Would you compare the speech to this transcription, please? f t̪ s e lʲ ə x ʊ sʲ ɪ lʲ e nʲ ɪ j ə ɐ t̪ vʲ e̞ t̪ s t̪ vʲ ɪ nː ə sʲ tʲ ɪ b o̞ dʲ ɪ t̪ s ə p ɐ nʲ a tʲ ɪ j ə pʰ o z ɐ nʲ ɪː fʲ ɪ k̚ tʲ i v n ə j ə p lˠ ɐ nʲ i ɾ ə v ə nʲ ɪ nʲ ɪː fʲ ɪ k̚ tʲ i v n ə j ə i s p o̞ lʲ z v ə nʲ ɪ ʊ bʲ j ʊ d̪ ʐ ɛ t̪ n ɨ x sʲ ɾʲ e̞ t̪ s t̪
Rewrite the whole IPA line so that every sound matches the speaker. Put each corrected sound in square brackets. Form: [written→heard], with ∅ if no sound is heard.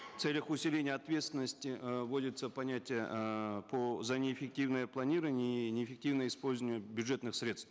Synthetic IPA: f t̪ s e lʲ ə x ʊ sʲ ɪ lʲ e nʲ ɪ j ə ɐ t̪ vʲ e̞ t̪ s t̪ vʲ ɪ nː ə sʲ tʲ ɪ [b→v] o̞ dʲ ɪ t̪ s ə p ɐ nʲ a tʲ ɪ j ə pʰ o z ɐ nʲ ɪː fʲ ɪ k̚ tʲ i v n ə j ə p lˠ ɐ nʲ i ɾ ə v ə nʲ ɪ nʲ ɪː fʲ ɪ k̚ tʲ i v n ə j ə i s p o̞ lʲ z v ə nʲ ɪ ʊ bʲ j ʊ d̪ ʐ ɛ t̪ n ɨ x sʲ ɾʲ e̞ t̪ s t̪